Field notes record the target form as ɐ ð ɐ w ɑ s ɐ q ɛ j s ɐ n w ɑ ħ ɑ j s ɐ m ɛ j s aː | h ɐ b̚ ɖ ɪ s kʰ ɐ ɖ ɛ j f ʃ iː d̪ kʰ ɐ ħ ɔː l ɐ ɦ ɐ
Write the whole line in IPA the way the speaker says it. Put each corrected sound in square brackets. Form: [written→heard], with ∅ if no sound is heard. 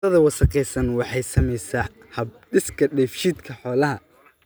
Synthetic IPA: ɐ ð ɐ w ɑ s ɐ q ɛ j s ɐ n w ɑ ħ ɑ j s ɐ m ɛ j s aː | h ɐ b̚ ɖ ɪ s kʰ ɐ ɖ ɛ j f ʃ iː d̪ kʰ ɐ ħ ɔː l ɐ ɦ ɐ